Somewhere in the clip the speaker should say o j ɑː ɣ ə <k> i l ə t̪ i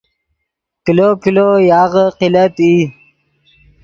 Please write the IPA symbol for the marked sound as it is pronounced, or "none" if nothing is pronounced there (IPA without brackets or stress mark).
q